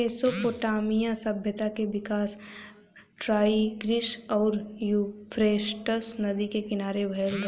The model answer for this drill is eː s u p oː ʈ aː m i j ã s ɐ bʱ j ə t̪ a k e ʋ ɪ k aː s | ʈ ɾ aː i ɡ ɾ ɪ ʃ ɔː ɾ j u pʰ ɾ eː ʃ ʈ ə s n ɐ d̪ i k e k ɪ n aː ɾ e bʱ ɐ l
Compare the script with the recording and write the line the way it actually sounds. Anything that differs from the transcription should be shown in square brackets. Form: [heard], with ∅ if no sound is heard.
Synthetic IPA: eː s [o] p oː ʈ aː m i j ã s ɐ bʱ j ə t̪ a k e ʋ ɪ k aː s | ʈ ɾ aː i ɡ ɾ ɪ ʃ ɔː ɾ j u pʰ ɾ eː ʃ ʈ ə s n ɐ d̪ i k e k ɪ n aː ɾ e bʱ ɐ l

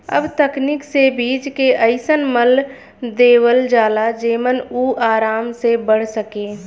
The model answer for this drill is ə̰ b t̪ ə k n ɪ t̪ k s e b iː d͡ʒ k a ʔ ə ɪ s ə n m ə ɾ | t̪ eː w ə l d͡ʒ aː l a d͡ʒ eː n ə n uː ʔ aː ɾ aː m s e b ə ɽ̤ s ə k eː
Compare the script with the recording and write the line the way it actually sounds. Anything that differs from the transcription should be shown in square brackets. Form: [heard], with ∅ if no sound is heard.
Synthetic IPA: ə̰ b t̪ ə k n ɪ [∅] k s e b iː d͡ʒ k [e] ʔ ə ɪ s ə n m ə [l] | [d̪] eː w ə l d͡ʒ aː l a d͡ʒ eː [m] ə n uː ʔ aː ɾ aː m s e b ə ɽ̤ s ə k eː

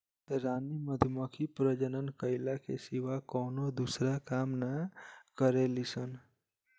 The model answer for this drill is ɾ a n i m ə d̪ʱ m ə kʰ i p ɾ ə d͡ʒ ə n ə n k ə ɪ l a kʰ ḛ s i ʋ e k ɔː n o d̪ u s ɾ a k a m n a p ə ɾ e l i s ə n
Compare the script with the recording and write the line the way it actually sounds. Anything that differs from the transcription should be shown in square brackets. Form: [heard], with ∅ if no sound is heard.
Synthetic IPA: ɾ a n i m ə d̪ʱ m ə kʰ i p ɾ ə d͡ʒ ə n ə n k ə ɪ l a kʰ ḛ s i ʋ [a] k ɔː n o d̪ u s ɾ a k a m n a [k] ə ɾ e l i s ə n

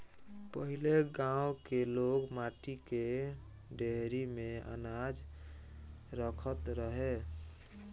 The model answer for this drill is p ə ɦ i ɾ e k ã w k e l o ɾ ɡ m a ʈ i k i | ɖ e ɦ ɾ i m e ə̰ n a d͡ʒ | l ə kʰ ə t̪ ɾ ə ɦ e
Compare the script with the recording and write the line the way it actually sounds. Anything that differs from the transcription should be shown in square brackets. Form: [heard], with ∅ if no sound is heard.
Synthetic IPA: p ə ɦ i [l] e [ɡ] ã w k e l o [∅] ɡ m a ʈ i k [e] | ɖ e ɦ ɾ i m e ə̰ n a d͡ʒ | [ɾ] ə kʰ ə t̪ ɾ ə ɦ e

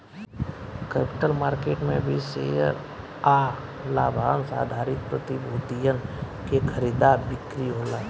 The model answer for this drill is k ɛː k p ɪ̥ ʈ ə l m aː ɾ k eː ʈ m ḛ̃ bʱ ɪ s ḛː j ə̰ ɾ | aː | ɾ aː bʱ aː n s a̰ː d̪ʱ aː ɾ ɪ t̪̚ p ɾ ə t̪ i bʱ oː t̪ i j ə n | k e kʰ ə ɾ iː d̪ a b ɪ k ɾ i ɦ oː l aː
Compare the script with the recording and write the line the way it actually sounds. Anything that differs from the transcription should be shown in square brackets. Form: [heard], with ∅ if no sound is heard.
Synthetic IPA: k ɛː [∅] p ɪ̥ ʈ ə l m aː ɾ k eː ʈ m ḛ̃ bʱ [i] s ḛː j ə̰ ɾ | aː | [l] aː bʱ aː n s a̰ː d̪ʱ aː ɾ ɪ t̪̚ p ɾ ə t̪ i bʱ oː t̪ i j ə n | k e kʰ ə ɾ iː d̪ a b ɪ k ɾ i ɦ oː l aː

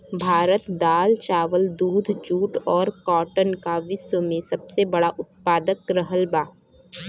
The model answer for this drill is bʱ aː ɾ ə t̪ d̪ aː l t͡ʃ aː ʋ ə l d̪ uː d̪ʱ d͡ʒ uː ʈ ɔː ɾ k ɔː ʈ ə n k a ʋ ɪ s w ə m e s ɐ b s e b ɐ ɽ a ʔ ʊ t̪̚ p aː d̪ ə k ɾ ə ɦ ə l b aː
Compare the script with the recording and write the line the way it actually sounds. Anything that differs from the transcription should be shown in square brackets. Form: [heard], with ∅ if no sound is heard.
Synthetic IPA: bʱ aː ɾ ə t̪ d̪ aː l t͡ʃ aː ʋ ə l d̪ uː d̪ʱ d͡ʒ uː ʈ ɔː ɾ k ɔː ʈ ə n k a ʋ ɪ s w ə m [ẽ] s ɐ b s e b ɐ ɽ a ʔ ʊ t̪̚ p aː d̪ ə k ɾ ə ɦ ə l b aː

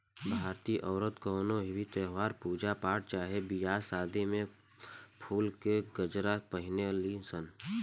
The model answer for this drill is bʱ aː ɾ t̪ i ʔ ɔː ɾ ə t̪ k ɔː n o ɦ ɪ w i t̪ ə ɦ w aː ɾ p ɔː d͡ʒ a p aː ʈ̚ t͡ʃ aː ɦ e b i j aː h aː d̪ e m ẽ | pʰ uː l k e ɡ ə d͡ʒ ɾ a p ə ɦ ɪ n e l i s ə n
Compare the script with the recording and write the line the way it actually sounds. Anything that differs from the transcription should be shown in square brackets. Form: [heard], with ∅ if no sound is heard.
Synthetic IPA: bʱ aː ɾ t̪ i ʔ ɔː ɾ ə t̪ k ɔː n o ɦ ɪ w i t̪ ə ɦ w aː ɾ p [uː] d͡ʒ a p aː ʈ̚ t͡ʃ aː ɦ e b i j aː [s] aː d̪ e m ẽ | pʰ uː l k e ɡ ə d͡ʒ ɾ a p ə ɦ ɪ n e l i s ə n

